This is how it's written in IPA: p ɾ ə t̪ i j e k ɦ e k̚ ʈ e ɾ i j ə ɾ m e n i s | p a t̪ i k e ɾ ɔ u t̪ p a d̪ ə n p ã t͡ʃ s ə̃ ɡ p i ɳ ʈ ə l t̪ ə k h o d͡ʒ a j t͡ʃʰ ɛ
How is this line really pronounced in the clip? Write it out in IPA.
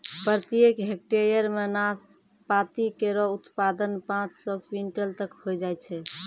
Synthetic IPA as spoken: p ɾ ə t̪ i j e k ɦ e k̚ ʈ e ɾ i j ə ɾ m e n a s | p a t̪ i k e ɾ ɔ u t̪ p a d̪ ə n p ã t͡ʃ s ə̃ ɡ p i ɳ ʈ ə l t̪ ə k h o d͡ʒ a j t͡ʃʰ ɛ